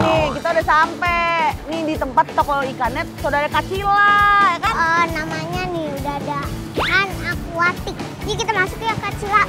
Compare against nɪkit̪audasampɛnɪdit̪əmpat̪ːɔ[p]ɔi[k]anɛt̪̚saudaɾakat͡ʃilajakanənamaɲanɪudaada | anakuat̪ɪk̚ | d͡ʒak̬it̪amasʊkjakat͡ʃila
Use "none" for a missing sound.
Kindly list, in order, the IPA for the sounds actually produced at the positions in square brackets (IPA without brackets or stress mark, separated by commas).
k, k